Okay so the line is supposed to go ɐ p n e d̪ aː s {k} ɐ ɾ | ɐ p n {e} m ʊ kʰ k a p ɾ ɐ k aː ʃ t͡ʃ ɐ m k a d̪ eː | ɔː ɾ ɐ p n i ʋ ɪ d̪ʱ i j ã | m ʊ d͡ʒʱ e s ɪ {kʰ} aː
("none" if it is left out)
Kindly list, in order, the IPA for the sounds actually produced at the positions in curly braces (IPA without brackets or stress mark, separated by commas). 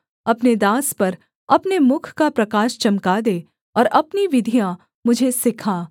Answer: p, e, kʰ